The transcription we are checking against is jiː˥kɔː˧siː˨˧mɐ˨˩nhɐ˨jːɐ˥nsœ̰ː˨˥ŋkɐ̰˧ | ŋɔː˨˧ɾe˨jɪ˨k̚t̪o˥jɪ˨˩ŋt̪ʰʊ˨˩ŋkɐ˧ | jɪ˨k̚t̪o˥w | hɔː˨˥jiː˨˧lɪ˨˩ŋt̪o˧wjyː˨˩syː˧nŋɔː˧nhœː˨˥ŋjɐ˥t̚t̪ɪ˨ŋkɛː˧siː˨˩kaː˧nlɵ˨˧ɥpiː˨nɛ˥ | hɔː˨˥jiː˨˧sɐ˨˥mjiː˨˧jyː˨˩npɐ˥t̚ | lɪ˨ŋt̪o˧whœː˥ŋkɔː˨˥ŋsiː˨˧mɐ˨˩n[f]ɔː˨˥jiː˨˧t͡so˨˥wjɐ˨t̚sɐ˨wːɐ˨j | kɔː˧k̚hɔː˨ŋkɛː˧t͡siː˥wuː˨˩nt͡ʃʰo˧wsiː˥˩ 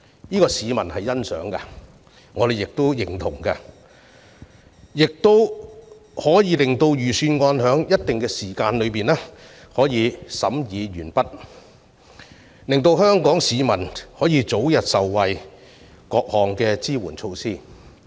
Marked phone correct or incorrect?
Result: incorrect